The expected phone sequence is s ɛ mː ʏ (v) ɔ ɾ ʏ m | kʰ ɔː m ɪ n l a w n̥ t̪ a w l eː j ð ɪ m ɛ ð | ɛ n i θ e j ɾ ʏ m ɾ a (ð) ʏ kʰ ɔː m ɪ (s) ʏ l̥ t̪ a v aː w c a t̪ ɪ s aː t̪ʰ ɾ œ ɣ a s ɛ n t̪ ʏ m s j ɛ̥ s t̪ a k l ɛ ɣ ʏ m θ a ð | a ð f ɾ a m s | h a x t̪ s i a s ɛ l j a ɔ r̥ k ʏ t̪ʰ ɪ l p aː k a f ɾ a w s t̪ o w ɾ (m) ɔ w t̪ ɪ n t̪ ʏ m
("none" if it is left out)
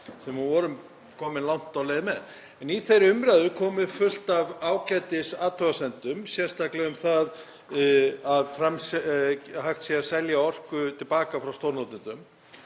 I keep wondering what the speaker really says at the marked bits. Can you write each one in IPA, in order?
v, ð, f, n

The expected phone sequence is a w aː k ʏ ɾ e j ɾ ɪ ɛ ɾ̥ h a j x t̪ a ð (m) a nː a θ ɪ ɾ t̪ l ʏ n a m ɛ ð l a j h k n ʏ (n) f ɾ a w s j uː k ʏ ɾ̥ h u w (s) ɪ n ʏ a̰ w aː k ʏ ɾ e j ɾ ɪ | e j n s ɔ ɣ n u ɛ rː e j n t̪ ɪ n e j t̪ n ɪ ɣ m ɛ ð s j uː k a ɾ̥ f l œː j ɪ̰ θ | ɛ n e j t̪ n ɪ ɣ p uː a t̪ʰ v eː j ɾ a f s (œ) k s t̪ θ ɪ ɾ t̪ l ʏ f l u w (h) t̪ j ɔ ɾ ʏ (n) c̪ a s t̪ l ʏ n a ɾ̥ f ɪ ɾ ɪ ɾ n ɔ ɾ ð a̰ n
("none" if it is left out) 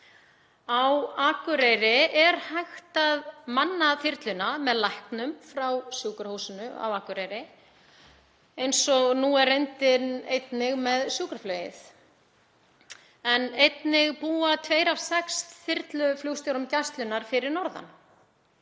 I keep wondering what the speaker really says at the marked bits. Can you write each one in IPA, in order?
m, m, s, ɛ, s, m

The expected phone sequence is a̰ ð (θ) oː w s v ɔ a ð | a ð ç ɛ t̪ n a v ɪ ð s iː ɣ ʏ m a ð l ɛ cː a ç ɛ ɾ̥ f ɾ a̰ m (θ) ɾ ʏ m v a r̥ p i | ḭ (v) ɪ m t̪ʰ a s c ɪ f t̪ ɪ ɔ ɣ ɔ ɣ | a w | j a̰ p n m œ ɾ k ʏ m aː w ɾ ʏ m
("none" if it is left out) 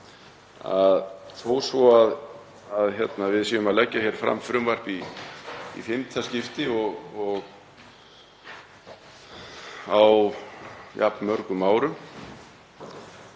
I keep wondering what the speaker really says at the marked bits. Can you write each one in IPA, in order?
θ, f, f

